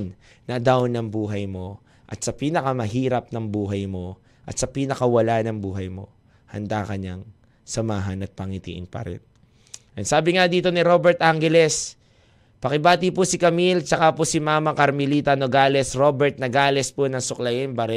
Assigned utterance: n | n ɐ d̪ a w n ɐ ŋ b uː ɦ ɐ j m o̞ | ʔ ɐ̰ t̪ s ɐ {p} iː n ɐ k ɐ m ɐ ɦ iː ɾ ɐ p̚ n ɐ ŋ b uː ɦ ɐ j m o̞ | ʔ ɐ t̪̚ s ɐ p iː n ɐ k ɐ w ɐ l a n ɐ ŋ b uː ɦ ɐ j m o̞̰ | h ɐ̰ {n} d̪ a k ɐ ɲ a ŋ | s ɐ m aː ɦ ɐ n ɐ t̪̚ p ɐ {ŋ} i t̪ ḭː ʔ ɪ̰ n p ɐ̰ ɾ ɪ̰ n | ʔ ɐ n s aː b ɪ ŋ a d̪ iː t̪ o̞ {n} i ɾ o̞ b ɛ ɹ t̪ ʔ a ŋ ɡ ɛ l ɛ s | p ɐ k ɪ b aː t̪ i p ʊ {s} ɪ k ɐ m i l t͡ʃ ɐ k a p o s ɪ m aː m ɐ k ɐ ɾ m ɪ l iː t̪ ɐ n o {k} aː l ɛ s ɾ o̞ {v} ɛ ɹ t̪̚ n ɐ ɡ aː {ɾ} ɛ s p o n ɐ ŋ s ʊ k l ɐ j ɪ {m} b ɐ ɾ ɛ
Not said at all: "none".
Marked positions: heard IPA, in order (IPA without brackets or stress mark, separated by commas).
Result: p, n, ŋ, n, s, ɡ, b, l, n